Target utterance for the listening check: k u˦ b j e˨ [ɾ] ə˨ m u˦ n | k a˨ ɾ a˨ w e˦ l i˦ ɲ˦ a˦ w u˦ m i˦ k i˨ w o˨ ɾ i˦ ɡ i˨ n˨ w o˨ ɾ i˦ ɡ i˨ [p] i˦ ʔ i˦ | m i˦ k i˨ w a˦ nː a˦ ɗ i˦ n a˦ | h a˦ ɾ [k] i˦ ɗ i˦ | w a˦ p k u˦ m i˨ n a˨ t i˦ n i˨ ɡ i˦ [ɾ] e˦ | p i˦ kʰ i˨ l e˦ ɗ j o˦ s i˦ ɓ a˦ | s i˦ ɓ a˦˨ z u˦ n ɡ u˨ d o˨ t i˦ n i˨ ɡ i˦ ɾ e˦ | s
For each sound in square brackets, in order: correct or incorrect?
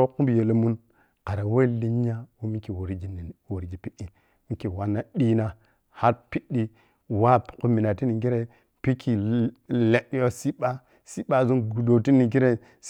incorrect, correct, incorrect, correct

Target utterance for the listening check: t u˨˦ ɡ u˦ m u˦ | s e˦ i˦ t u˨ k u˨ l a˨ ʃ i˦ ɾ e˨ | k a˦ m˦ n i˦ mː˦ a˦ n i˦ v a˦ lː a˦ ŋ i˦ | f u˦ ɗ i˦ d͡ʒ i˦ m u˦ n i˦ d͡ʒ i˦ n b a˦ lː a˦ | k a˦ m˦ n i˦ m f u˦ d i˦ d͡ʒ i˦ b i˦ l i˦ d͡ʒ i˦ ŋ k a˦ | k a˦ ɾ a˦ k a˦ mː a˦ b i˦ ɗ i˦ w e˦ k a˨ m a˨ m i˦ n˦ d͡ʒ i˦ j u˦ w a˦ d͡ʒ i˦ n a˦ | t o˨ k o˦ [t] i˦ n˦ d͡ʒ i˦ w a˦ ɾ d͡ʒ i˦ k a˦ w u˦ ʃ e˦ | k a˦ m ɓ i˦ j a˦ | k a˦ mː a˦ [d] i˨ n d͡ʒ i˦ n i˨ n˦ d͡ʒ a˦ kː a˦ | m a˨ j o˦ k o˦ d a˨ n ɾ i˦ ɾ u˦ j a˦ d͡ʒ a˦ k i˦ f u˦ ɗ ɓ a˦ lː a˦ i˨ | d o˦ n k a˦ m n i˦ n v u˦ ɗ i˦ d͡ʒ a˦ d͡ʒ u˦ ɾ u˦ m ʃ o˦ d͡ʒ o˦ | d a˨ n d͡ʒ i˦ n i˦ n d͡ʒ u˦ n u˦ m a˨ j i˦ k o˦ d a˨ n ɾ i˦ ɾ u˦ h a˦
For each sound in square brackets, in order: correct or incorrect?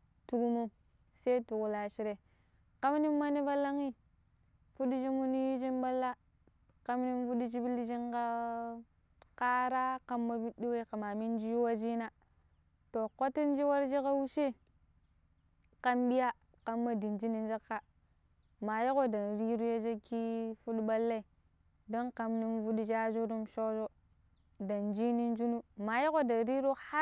correct, correct

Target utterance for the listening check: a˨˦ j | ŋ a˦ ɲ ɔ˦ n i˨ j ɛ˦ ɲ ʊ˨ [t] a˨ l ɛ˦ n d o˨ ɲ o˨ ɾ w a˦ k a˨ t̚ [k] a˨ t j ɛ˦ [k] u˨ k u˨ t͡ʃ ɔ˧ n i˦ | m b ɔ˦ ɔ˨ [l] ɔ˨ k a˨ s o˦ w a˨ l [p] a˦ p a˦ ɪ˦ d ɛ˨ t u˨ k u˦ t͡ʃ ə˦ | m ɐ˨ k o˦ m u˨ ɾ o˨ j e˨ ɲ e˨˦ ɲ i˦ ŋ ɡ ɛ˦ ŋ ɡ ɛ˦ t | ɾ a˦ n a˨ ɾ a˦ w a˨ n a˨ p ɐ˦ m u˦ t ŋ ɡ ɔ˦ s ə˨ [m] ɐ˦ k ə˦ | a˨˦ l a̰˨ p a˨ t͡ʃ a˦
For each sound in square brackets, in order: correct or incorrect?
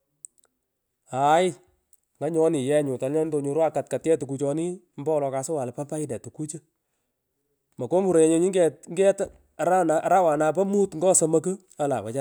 correct, correct, incorrect, correct, correct, correct

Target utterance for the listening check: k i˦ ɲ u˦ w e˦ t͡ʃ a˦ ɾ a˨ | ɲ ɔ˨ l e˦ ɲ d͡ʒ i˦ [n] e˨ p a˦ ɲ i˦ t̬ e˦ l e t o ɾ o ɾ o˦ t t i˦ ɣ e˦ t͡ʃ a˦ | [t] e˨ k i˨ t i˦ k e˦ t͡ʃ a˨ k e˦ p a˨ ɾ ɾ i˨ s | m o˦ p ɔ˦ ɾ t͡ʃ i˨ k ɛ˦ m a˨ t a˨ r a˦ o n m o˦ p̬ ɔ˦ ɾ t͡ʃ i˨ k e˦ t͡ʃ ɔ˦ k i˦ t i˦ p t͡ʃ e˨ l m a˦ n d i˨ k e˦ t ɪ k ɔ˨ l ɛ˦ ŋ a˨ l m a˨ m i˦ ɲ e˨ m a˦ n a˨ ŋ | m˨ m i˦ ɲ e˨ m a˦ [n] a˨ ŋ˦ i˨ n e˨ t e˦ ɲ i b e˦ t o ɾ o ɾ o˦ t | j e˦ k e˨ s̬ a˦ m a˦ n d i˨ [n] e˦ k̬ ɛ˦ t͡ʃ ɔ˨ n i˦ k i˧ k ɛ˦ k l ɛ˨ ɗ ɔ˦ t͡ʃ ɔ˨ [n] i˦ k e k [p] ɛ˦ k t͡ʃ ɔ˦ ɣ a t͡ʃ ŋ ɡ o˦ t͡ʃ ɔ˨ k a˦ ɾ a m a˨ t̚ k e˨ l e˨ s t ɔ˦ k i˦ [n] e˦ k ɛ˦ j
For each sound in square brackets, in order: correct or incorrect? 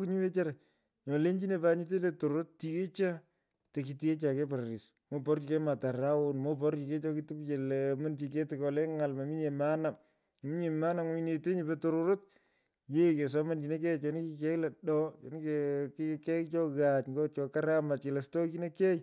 correct, correct, correct, correct, correct, incorrect, correct

